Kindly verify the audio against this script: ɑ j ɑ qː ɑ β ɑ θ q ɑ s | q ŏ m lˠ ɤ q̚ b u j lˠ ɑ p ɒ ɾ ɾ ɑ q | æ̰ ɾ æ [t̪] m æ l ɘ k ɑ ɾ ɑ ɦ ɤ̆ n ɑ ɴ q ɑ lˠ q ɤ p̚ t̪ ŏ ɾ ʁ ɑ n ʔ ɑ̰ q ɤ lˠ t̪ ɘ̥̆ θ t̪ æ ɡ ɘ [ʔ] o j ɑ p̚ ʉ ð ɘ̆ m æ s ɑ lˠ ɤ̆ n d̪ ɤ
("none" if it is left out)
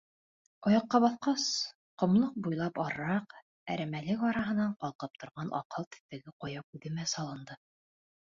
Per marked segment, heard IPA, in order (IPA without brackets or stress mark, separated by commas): none, q